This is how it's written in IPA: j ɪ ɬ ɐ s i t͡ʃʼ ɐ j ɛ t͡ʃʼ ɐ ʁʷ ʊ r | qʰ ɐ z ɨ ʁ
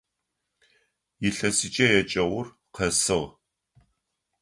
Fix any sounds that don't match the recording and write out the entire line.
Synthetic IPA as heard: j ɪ ɬ ɐ s i t͡ʃʼ ɐ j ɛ t͡ʃʼ ɐ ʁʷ ʊ r | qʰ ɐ s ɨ ʁ